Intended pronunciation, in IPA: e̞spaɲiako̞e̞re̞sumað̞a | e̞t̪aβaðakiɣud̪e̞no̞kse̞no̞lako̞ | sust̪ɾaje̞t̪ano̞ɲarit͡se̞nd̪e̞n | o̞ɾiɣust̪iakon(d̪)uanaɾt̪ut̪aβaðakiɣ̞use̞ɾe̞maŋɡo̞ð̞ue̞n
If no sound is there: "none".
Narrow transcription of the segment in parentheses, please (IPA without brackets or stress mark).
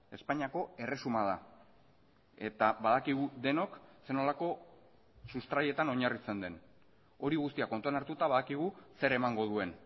t̪